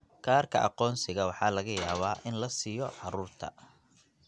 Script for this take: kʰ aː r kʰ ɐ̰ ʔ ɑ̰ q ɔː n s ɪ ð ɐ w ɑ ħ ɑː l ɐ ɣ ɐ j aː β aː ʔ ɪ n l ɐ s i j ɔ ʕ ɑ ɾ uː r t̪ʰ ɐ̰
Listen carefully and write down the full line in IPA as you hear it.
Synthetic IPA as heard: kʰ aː r kʰ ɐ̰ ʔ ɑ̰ q ɔː n s ɪ ɣ ɐ w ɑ ħ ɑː l ɐ ɣ ɐ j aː β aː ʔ ɪ n l ɐ s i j ɔ ʕ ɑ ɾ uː r t̪ʰ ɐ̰